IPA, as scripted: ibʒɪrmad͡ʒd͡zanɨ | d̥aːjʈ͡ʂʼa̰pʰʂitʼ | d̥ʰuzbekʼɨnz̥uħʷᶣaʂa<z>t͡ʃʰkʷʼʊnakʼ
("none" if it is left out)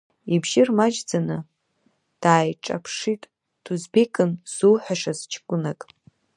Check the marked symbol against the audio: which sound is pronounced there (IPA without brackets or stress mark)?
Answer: z